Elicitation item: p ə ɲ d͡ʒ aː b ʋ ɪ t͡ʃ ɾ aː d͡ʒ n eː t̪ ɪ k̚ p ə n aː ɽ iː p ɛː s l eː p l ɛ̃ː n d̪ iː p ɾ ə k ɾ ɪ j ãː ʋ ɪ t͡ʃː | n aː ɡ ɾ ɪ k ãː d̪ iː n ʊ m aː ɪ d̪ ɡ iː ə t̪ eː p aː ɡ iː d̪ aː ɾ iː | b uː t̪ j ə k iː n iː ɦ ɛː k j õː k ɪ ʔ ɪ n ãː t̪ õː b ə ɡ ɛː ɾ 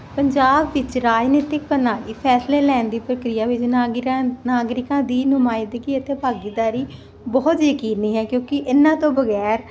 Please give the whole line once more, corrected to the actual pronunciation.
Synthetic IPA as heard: p ə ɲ d͡ʒ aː b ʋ ɪ t͡ʃ ɾ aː d͡ʒ n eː t̪ ɪ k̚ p ə n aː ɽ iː pʰ ɛː s l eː l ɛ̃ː n d̪ iː p ɾ ə k ɾ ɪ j aː ʋ ɪ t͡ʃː | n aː ɡ ɾ ɪ k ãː d̪ iː n ʊ m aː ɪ d̪ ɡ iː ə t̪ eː p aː ɡ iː d̪ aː ɾ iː | b ɔː t̪ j ə k iː n iː ɦ ɛː k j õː k ɪ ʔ ɪ n ãː t̪ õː b ə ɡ ɛː ɾ